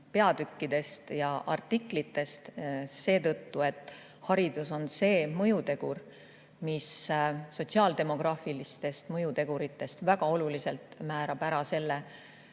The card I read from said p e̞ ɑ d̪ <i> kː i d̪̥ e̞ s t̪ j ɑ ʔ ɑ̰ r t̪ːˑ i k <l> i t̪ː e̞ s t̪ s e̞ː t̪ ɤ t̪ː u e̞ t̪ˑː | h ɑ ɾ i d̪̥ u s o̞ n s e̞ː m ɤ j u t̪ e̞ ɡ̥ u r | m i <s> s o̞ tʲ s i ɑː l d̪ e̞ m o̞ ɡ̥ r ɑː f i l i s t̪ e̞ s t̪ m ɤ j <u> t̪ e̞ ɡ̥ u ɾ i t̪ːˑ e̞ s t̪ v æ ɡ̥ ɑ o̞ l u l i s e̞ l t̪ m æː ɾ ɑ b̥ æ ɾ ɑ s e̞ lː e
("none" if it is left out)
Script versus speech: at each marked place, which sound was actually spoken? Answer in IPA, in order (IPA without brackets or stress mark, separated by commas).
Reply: y, l, s, u